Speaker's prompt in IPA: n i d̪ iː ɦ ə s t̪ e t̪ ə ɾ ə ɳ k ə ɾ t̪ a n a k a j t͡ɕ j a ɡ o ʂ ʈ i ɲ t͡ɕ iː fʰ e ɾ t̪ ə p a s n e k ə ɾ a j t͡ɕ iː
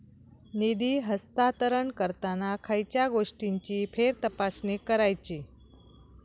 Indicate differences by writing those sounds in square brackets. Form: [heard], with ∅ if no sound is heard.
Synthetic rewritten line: n i d̪ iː ɦ ə s t̪ [a] t̪ ə ɾ ə ɳ k ə ɾ t̪ a n a [kʰ] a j t͡ɕ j a ɡ o ʂ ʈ i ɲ t͡ɕ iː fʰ e ɾ t̪ ə p a s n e k ə ɾ a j t͡ɕ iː